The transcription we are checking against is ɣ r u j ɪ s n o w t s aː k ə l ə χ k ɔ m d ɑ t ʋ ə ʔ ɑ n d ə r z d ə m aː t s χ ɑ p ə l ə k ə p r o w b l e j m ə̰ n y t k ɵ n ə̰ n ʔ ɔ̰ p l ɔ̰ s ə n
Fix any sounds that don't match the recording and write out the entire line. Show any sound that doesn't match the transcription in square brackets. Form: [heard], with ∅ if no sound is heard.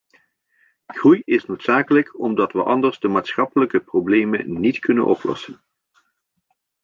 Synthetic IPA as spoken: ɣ r u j ɪ s n o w t s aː k ə l ə [∅] k ɔ m d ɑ t ʋ ə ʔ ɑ n d ə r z d ə m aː t s χ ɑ p ə l ə k ə p r o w b l e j m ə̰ n [i] t k ɵ n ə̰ n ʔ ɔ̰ p l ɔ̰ s ə n